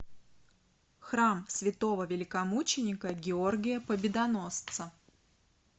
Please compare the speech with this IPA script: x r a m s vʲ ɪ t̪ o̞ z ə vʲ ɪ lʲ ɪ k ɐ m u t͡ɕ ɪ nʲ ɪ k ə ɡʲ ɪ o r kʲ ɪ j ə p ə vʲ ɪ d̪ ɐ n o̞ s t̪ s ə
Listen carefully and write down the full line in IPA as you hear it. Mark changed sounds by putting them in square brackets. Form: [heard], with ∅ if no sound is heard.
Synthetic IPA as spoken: x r a m s vʲ ɪ t̪ o̞ [v] ə vʲ ɪ lʲ ɪ k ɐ m u t͡ɕ ɪ nʲ ɪ k ə ɡʲ ɪ o r [ɡʲ] ɪ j ə p ə [bʲ] ɪ d̪ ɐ n o̞ s t̪ s ə

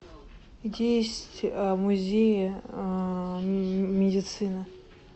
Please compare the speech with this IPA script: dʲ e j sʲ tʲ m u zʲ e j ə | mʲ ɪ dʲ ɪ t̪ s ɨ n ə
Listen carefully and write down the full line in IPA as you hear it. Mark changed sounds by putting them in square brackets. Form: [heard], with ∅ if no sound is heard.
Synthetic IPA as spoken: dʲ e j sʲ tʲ m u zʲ e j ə | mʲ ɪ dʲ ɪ t̪ s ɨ n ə

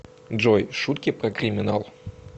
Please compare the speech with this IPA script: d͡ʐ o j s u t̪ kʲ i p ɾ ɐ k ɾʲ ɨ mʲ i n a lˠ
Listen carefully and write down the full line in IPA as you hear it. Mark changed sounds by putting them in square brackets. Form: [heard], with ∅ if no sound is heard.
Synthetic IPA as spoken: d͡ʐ [ɔ] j [ʂ] u t̪ kʲ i p ɾ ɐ k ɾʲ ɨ mʲ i n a lˠ

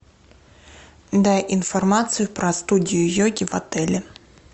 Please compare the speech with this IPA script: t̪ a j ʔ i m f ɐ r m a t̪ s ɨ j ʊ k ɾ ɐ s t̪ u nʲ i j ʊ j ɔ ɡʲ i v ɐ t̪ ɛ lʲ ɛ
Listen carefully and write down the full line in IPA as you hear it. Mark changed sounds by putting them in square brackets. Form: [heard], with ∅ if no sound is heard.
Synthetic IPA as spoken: [d̪] a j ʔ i [n] f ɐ r m a t̪ s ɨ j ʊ [p] ɾ ɐ s t̪ u [dʲ] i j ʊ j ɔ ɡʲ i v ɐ t̪ ɛ lʲ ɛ

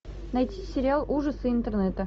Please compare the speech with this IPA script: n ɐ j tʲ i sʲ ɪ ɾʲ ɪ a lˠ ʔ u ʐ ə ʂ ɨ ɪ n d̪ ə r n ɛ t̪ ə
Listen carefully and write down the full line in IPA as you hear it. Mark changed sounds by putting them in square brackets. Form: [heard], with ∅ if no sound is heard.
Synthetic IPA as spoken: n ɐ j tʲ i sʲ ɪ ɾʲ ɪ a lˠ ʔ u ʐ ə [s] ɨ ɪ n [t̪] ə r n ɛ t̪ ə

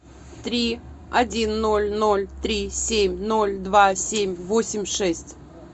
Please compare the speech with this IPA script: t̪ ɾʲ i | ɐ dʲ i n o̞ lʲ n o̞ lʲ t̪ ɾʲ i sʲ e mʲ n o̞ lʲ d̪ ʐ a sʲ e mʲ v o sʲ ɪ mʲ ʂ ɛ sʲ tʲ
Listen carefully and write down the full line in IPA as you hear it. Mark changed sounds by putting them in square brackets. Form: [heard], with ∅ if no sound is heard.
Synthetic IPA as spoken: t̪ ɾʲ i | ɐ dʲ i [nː] o̞ lʲ n o̞ lʲ t̪ ɾʲ i sʲ e mʲ n o̞ lʲ d̪ [v] a sʲ e mʲ v o sʲ ɪ mʲ ʂ ɛ sʲ tʲ

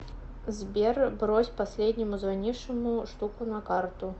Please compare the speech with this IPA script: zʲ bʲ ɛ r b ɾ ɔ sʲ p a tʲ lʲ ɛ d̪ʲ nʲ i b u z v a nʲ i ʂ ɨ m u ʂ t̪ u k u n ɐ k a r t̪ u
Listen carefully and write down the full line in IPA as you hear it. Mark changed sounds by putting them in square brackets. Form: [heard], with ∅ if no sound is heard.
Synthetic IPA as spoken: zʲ bʲ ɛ r b ɾ ɔ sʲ p a [sʲ] lʲ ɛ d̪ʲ nʲ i [m] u z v a nʲ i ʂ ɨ m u ʂ t̪ u k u n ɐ k a r t̪ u

